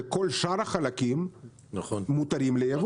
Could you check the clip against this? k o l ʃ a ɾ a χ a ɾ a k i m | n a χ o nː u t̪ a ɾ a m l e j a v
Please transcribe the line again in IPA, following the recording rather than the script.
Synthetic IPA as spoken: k o l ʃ a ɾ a χ a l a k i m | n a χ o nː u t̪ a ɾ i m l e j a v